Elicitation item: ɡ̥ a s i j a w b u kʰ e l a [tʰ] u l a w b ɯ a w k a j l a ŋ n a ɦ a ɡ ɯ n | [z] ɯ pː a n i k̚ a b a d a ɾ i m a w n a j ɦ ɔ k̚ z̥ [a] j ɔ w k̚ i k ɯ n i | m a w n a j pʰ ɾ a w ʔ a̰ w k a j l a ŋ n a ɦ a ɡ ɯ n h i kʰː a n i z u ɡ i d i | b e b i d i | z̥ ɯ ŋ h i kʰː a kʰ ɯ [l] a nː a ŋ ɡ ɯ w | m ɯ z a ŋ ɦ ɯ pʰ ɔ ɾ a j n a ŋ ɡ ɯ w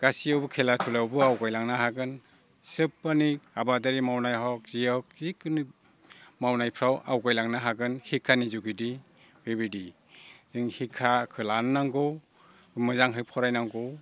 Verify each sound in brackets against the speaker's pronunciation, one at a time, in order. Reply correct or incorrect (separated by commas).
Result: correct, incorrect, incorrect, correct